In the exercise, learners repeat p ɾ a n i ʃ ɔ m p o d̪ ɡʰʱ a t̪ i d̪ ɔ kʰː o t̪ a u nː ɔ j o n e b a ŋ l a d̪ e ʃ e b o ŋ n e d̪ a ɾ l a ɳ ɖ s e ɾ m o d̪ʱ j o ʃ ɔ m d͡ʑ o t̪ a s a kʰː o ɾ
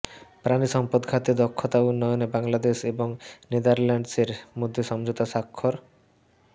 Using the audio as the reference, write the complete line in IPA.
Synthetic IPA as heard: p ɾ a n i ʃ ɔ m p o d̪ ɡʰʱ a t̪ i d̪ ɔ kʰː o t̪ a u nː ɔ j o n e b a ŋ l a d̪ e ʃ e b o ŋ n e d̪ a ɾ l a ɳ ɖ s e ɾ m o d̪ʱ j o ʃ ɔ m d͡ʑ o t̪ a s a kʰː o ɾ